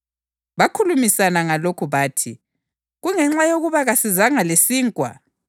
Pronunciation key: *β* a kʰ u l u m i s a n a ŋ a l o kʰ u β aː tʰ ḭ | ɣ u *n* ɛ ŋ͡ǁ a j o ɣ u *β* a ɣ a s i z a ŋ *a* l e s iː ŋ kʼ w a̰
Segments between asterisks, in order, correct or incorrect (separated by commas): correct, incorrect, correct, correct